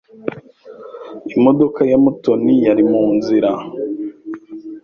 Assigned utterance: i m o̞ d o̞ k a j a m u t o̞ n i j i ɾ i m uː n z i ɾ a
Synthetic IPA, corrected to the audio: i m o̞ d o̞ k a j a m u t o̞ n i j a ɾ i m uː n z i ɾ a